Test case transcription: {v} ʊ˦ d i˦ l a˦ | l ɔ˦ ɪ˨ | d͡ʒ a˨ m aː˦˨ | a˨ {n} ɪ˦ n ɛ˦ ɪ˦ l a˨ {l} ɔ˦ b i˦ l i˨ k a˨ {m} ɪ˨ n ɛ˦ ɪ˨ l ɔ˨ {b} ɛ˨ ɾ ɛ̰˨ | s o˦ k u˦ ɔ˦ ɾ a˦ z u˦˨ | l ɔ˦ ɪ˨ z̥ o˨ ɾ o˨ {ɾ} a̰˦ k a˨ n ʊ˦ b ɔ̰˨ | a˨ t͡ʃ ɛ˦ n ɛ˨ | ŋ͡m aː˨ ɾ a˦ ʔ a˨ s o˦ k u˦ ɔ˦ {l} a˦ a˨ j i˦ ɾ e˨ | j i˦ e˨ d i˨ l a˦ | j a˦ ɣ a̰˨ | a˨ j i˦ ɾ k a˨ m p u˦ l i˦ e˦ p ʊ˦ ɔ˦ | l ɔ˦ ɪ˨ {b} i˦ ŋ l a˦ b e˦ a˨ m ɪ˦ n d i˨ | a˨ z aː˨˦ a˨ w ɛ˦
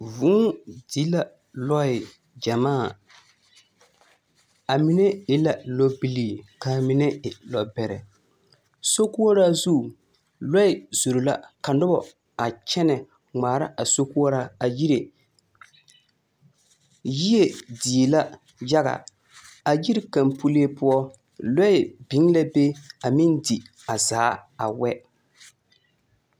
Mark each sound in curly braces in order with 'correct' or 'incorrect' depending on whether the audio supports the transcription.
correct, incorrect, correct, correct, correct, incorrect, incorrect, correct

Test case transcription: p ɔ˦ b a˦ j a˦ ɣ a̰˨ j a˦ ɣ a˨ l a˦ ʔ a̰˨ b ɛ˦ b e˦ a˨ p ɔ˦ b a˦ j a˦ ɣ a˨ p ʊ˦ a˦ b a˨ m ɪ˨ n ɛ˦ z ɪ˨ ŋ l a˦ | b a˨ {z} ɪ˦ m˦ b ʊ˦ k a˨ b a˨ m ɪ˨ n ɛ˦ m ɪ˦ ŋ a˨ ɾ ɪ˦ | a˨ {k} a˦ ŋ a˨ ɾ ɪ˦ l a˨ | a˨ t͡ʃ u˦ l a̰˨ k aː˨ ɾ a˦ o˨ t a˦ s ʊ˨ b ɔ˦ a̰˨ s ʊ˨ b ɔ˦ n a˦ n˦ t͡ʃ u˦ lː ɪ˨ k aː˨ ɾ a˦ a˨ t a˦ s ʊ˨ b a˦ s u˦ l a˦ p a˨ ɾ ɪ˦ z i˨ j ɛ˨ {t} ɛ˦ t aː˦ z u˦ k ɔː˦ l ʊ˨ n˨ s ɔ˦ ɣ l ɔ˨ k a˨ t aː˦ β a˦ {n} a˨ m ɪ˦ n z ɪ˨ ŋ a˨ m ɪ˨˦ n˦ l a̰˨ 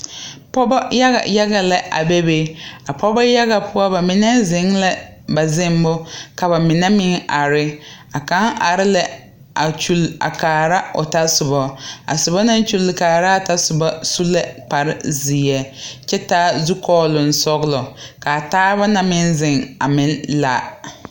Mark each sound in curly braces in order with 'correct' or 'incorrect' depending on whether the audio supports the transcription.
correct, correct, incorrect, correct

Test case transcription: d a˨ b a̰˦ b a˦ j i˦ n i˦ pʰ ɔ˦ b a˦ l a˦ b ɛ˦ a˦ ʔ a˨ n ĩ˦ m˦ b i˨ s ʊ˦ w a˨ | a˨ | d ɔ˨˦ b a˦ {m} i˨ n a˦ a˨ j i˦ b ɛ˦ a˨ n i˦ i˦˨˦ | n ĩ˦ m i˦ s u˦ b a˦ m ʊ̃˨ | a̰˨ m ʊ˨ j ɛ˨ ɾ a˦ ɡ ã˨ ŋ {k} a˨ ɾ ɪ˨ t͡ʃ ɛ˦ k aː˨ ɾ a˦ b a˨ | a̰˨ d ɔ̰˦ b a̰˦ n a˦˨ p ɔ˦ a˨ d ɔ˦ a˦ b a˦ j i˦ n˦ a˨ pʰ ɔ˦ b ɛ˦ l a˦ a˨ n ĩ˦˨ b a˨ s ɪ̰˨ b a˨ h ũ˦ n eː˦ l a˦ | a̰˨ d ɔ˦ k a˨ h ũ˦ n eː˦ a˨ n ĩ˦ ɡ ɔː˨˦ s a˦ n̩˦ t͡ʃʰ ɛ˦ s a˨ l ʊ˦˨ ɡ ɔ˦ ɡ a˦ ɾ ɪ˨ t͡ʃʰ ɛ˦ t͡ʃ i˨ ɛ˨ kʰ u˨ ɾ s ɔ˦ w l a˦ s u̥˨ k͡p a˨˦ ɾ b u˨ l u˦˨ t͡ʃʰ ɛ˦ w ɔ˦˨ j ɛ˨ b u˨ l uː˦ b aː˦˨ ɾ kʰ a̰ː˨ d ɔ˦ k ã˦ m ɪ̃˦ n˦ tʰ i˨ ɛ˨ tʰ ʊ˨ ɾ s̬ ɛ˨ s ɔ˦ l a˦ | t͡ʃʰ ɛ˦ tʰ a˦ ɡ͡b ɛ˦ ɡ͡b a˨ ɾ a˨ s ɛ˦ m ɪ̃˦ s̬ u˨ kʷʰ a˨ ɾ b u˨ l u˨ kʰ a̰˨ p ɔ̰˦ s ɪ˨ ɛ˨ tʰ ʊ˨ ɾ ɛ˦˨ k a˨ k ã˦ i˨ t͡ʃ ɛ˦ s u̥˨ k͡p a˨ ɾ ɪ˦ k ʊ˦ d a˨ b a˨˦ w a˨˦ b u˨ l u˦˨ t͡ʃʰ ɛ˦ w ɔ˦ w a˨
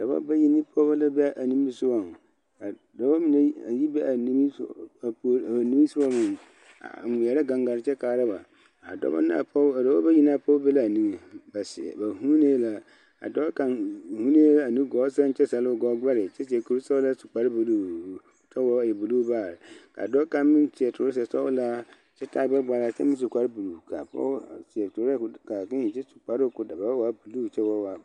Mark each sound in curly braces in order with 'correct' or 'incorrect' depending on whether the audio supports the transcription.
correct, incorrect

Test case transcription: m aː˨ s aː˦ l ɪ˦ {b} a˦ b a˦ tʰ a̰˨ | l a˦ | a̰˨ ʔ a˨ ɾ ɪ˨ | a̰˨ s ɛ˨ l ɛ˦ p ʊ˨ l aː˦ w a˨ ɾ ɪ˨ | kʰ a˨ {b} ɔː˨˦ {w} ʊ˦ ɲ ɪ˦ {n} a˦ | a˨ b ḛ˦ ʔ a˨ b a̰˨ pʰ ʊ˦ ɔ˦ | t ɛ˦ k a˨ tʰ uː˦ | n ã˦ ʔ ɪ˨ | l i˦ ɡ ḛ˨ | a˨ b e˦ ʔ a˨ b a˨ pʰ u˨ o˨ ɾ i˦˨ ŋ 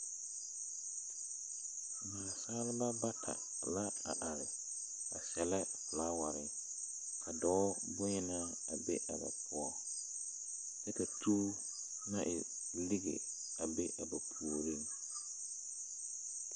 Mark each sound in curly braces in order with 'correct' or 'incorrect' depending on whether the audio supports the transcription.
correct, incorrect, incorrect, correct

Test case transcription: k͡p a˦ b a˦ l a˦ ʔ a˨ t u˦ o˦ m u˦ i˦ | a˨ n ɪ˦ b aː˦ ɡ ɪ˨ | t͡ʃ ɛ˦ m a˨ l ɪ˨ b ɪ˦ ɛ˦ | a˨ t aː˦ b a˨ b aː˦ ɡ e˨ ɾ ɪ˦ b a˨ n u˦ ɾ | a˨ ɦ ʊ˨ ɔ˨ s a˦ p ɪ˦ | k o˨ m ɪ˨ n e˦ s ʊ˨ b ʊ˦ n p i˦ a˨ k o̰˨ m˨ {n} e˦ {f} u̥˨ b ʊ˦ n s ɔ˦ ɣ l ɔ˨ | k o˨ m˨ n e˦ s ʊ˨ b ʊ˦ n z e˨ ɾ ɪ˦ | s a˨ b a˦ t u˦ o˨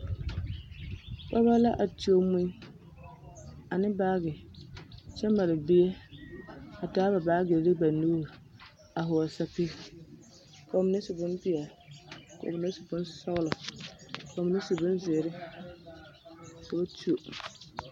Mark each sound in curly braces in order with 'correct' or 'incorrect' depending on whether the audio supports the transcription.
correct, incorrect

